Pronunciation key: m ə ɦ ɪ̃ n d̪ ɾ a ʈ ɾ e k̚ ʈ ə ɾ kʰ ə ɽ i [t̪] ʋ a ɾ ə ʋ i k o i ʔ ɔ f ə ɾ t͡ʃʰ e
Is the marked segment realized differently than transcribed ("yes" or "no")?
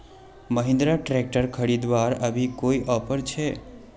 yes